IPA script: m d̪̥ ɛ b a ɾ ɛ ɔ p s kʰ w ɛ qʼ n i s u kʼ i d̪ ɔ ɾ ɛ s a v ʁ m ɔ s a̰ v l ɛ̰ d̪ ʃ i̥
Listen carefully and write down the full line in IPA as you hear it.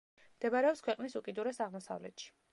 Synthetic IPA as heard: m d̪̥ ɛ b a ɾ ɛ ɔ p s kʰ w ɛ qʼ n i s u kʼ i d̪ u ɾ ɛ s a ʁ m ɔ s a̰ v l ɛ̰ t̪ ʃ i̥